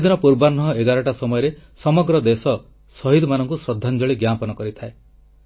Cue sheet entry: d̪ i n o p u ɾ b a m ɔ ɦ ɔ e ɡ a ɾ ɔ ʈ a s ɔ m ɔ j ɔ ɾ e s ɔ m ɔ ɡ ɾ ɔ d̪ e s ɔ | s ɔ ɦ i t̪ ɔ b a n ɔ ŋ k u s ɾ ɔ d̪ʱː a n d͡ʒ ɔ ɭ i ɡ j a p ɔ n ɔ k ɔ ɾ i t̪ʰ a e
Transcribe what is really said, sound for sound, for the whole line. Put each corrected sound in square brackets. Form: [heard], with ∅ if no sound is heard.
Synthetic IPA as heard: d̪ i n [ɔ] p u ɾ b a [n] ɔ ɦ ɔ e ɡ a ɾ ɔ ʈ a s ɔ m ɔ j ɔ ɾ e s ɔ m ɔ ɡ ɾ ɔ d̪ e s ɔ | s ɔ ɦ i [d̪] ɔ [m] a n ɔ ŋ k u s ɾ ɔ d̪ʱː a n d͡ʒ ɔ ɭ i ɡ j a p ɔ n ɔ k ɔ ɾ i t̪ʰ a e